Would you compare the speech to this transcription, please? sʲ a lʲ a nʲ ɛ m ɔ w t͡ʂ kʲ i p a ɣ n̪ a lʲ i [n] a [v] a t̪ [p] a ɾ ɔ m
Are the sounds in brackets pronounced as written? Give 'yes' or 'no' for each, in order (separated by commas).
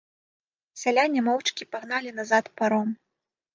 yes, no, yes